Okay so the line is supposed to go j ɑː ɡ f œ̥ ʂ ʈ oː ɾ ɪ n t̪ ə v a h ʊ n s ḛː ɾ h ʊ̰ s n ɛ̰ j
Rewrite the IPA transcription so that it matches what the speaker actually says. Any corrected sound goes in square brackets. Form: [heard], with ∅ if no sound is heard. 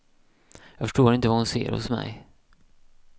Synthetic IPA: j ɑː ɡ f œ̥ ʂ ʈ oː ɾ ɪ n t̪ ə v a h ʊ n s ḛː ɾ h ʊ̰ s [m] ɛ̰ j